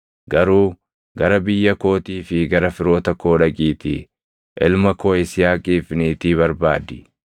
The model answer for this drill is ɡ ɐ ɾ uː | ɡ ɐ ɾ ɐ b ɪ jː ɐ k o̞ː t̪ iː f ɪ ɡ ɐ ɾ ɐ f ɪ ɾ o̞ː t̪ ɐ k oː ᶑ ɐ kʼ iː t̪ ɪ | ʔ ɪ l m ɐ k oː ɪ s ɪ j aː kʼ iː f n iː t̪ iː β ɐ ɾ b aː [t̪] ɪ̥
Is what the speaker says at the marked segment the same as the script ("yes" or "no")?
no